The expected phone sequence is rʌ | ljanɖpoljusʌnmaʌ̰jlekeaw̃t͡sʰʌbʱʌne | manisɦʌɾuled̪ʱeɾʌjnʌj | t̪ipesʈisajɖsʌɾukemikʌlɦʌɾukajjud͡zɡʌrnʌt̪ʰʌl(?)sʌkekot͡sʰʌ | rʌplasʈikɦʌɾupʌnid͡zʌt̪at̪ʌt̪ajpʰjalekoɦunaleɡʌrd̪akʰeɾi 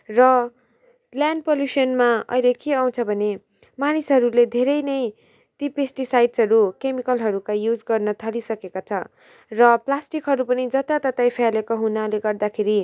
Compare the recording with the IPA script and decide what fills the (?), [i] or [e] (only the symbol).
i